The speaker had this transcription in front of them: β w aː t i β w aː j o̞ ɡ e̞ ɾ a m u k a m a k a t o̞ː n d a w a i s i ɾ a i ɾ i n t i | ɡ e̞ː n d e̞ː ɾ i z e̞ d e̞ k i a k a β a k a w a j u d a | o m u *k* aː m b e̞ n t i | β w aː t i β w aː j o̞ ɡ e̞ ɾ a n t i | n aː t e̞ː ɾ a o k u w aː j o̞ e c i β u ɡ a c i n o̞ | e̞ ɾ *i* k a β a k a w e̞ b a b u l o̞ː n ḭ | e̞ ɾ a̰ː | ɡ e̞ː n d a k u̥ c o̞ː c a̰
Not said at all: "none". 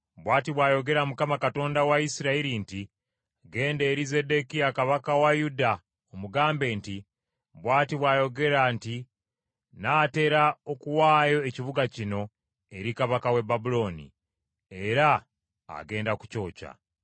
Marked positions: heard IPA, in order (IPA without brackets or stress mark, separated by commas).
ɡ, i